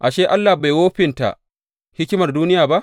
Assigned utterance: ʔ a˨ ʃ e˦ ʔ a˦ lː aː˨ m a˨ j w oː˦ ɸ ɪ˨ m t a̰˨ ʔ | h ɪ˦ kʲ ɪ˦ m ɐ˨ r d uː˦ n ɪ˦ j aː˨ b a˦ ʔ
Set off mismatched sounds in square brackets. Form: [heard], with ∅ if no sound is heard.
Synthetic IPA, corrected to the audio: ʔ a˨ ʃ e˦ ʔ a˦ lː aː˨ [b] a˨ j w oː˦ ɸ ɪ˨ [n] t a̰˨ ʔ | h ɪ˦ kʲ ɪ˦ m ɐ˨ r d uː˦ n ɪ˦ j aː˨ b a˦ ʔ

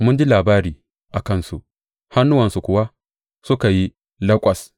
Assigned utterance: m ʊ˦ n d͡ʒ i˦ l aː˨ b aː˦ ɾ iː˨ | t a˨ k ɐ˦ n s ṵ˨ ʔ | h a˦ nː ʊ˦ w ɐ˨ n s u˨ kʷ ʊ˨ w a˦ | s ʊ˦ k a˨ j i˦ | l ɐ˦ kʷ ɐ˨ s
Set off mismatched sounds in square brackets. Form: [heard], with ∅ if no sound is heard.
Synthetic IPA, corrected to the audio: m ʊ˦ n d͡ʒ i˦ l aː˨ b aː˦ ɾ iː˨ | [ʔ] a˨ k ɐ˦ n s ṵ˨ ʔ | h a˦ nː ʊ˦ w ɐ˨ n s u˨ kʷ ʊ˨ w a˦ | s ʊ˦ k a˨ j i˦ | l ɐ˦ [kʷʼ] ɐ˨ s

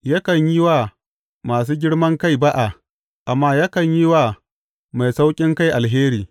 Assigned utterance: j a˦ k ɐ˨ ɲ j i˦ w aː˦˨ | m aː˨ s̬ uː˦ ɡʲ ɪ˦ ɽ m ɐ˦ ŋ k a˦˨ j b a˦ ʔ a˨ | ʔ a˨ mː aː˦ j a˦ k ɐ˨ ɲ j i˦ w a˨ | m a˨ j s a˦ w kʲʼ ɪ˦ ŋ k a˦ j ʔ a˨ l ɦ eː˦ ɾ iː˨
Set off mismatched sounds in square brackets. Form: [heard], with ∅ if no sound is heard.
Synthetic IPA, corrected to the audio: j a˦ k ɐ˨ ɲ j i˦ w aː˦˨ | m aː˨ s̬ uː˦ ɡʲ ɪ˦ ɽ m ɐ˦ ŋ k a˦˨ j b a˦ ʔ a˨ | ʔ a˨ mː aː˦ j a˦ k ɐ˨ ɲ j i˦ w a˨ | m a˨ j s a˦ w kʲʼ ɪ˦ ŋ k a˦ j ʔ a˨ l ɦ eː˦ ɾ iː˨

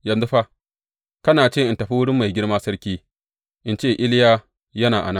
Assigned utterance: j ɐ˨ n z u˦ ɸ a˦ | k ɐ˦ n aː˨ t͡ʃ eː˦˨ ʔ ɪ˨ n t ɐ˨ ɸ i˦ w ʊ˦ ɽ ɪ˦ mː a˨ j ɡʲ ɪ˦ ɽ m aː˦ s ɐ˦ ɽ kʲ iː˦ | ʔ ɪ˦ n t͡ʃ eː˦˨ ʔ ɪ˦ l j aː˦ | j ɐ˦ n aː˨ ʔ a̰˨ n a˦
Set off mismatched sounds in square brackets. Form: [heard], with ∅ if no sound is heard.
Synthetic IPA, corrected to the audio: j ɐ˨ n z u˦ ɸ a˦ | k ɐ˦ n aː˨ t͡ʃ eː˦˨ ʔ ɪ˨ n t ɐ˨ ɸ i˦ w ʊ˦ ɽ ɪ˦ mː a˨ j ɡʲ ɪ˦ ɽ m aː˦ s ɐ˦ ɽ kʲ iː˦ | ʔ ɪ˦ n t͡ʃ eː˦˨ ʔ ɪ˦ l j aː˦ | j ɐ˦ n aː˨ ʔ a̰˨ n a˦

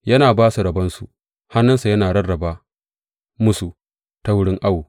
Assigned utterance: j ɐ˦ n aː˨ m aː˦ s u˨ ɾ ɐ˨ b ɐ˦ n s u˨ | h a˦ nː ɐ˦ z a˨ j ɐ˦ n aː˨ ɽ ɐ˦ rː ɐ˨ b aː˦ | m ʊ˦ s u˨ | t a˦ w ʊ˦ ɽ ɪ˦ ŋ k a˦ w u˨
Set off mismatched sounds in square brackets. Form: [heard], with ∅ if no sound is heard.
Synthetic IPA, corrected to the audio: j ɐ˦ n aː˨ [b] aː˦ s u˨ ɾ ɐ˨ b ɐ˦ n s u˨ | h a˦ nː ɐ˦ [s] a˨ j ɐ˦ n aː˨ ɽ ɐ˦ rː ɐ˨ b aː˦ | m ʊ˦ s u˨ | t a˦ w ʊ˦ ɽ ɪ˦ ŋ [ʔ] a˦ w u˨

